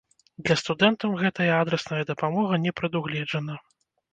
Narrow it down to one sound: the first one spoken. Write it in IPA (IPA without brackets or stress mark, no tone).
d̪